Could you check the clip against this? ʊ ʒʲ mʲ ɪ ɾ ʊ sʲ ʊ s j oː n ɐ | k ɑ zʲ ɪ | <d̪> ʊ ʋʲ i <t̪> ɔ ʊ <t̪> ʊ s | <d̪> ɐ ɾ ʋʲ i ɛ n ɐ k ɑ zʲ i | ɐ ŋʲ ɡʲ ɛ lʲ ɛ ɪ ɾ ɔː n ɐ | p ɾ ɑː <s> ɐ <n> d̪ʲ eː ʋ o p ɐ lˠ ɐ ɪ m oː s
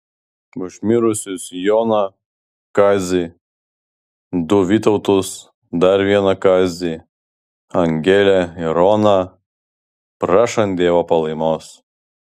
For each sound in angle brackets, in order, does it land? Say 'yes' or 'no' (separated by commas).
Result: yes, yes, yes, yes, no, yes